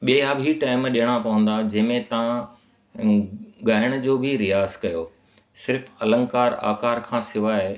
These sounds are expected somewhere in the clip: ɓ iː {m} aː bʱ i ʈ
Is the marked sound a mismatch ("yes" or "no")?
yes